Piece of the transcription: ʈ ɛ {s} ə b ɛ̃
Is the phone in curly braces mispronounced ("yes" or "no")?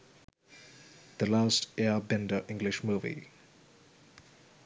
yes